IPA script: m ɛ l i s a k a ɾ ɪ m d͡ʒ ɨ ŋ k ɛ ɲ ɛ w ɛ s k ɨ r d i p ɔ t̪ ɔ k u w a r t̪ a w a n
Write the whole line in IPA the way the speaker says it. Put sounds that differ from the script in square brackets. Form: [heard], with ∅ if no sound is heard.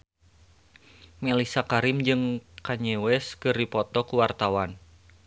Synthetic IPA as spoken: m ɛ l i s a k a ɾ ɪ m d͡ʒ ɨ ŋ k [a] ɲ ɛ w ɛ s k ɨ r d i p ɔ t̪ ɔ k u w a r t̪ a w a n